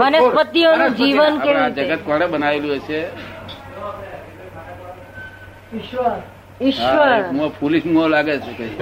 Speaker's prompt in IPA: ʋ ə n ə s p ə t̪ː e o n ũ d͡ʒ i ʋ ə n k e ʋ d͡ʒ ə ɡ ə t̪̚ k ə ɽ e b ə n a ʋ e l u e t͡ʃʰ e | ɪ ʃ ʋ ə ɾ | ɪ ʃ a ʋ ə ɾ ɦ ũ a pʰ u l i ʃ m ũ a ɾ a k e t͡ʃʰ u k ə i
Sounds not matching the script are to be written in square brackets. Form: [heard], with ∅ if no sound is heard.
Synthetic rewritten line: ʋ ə n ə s p ə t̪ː [i] o n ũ d͡ʒ i ʋ ə n k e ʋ d͡ʒ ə ɡ ə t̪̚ k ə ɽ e b ə n a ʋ e l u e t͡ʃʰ e | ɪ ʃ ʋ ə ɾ | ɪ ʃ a ʋ ə ɾ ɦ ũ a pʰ u l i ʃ m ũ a [l] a [ɡ] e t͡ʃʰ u k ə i